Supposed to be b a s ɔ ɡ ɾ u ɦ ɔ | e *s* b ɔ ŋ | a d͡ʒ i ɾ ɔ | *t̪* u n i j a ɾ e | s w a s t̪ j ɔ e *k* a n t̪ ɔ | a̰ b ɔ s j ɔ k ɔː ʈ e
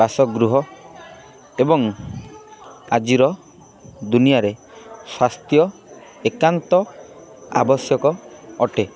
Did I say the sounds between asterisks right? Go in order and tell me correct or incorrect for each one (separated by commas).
incorrect, incorrect, correct